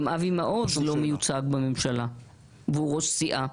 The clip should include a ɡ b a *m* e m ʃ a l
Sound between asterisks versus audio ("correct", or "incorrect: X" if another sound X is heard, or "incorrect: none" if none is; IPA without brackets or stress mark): correct